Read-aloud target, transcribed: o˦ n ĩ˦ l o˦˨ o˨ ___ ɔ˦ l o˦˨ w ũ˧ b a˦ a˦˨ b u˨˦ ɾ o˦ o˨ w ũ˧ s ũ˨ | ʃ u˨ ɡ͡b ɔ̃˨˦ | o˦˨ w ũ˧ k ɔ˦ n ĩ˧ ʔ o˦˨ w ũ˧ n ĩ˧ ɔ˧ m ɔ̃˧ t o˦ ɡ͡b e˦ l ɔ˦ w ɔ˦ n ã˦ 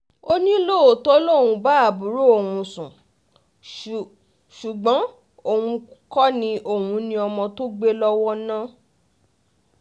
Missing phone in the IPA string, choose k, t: t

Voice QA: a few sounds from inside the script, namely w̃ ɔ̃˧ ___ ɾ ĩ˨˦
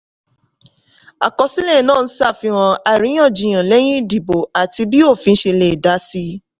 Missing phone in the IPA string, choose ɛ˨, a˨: a˨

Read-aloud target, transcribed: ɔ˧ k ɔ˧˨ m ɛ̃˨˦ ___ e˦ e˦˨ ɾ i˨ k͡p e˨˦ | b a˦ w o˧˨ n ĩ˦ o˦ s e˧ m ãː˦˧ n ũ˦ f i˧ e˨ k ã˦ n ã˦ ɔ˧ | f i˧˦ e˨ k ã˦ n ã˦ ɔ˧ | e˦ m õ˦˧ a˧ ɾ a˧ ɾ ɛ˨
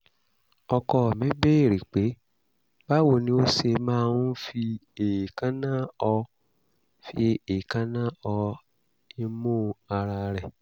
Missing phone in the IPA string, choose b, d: b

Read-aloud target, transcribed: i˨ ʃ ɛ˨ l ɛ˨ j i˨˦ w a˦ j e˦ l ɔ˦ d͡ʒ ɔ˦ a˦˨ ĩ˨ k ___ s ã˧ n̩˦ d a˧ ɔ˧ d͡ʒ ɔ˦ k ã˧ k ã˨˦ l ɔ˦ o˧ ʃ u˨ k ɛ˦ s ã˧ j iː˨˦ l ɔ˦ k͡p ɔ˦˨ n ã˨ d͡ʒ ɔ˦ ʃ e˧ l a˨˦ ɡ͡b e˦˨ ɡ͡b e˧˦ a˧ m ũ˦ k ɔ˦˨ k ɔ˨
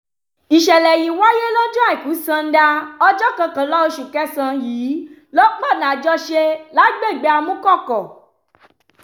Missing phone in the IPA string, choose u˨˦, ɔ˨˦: u˨˦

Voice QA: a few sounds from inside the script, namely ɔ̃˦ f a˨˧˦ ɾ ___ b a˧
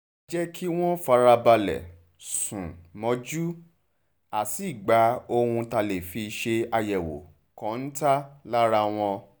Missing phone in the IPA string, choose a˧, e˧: a˧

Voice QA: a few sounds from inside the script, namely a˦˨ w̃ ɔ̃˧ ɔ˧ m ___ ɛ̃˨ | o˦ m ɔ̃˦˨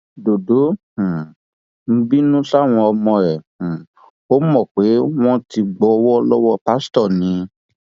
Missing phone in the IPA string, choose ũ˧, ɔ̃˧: ɔ̃˧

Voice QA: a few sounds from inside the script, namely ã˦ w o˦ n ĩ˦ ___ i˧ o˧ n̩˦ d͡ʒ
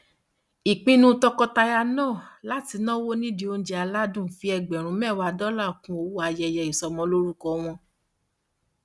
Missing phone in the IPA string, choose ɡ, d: d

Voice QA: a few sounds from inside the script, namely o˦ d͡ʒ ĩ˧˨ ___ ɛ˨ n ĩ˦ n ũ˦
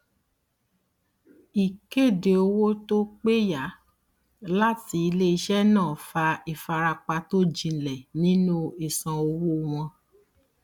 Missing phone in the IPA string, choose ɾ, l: l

